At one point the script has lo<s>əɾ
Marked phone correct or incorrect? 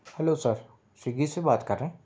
correct